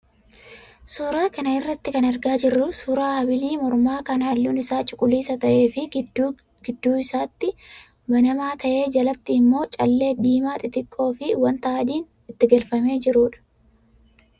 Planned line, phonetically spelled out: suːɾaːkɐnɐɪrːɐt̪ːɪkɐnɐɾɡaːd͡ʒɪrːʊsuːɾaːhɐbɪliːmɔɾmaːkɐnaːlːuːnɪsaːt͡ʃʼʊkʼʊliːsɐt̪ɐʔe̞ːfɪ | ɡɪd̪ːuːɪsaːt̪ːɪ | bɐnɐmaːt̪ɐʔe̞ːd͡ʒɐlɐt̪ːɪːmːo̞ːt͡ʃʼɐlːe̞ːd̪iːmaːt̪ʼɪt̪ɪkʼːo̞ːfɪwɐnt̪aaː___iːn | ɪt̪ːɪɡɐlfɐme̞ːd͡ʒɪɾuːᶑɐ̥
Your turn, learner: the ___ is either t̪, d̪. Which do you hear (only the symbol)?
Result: d̪